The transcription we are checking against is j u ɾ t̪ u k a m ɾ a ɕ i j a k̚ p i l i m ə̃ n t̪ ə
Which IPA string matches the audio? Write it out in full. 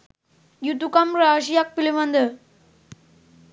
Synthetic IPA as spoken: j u t̪ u k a m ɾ a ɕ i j a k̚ p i l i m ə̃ n d̪ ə